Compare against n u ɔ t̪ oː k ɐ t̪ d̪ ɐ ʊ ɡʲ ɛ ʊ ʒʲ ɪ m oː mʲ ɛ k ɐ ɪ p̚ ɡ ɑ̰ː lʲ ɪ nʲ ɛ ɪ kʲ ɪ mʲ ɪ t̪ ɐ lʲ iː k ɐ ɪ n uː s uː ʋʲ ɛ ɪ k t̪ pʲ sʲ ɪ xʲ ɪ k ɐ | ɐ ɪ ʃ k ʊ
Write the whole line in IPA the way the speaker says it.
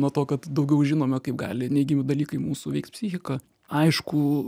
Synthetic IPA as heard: n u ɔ t̪ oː k ɐ t̪ d̪ ɐ ʊ ɡʲ ɛ ʊ ʒʲ ɪ n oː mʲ ɛ k ɐ ɪ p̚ ɡ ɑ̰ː lʲ ɪ nʲ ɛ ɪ ɡʲ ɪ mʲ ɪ d̪ ɐ lʲ iː k ɐ ɪ m uː s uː ʋʲ ɛ ɪ k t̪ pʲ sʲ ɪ xʲ ɪ k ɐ | ɐ ɪ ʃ k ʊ